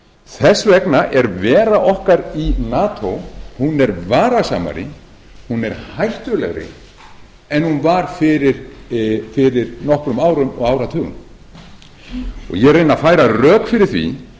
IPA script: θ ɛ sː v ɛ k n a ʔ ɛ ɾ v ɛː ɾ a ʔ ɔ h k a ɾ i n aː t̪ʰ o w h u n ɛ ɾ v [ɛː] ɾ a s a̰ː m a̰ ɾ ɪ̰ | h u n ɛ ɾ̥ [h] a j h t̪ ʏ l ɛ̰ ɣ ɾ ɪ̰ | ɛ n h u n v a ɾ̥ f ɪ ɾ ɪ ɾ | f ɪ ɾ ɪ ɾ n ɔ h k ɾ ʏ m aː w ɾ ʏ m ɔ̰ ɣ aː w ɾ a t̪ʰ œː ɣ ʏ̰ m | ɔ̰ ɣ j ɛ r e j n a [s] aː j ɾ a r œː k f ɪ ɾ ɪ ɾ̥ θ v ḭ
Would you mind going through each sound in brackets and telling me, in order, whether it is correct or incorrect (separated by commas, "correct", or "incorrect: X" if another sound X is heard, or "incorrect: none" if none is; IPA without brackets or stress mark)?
incorrect: aː, correct, incorrect: f